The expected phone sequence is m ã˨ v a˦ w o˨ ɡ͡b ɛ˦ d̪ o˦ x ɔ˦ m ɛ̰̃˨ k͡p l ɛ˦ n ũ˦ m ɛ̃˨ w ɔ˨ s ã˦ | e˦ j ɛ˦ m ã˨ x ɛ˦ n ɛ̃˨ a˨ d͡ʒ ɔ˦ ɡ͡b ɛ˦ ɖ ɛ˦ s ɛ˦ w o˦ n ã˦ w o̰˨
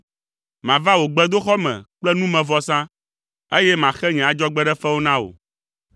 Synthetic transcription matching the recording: m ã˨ v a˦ w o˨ ɡ͡b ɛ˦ d̪ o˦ x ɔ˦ m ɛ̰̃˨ k͡p l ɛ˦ n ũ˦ m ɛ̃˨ v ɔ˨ s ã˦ | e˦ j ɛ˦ m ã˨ x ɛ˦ ɲ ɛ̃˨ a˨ d͡ʒ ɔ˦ ɡ͡b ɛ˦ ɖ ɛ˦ f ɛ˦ w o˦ n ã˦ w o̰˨